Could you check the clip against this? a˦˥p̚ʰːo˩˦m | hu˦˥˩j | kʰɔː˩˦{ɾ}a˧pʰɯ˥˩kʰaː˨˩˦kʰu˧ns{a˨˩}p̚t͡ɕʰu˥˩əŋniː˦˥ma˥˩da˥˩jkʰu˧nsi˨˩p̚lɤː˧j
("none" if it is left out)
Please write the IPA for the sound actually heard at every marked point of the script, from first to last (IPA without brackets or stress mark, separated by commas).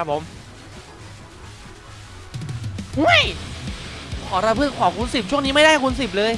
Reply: ɾ, i˨˩